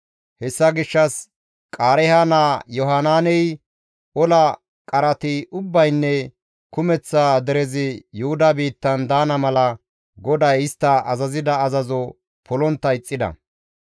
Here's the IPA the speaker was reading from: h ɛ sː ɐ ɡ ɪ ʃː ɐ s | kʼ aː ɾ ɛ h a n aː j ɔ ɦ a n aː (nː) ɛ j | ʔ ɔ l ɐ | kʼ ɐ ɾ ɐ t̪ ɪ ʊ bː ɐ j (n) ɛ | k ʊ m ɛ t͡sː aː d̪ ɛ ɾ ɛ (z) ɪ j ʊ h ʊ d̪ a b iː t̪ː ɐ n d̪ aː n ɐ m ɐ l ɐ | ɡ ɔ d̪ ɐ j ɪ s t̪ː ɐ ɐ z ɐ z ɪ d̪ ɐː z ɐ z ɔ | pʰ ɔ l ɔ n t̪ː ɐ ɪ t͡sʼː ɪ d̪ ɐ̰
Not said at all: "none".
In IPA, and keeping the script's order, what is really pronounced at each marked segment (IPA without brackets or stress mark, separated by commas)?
n, nː, z